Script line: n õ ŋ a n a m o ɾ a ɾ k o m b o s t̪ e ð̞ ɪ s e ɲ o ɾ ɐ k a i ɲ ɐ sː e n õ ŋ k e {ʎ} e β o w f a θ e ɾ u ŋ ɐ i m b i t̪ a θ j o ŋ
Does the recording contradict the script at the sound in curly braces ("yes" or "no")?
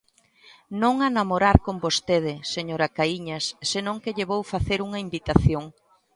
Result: no